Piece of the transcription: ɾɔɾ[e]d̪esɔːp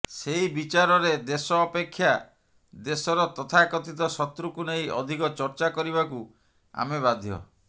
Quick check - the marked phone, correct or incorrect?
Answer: correct